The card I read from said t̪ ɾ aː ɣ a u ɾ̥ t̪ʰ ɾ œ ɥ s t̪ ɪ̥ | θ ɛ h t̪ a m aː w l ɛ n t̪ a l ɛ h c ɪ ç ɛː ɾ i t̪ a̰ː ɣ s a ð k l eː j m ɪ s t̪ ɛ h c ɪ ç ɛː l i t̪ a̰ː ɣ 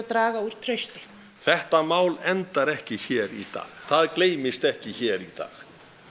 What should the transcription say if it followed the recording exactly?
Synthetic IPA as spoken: t̪ ɾ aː ɣ a u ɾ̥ t̪ʰ ɾ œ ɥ s t̪ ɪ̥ | θ ɛ h t̪ a m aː w l ɛ n t̪ a ɾ ɛ h c ɪ ç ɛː ɾ i t̪ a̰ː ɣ θ a ð k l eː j m ɪ s t̪ ɛ h c ɪ ç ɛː ɾ i t̪ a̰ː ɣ